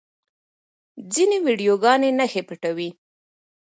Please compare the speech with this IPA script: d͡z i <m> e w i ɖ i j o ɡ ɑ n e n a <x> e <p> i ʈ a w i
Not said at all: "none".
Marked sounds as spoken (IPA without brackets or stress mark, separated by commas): n, x, p